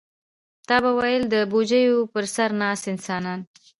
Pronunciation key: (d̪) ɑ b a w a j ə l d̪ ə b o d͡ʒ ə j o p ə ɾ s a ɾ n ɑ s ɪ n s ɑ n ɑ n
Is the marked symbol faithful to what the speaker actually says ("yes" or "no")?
no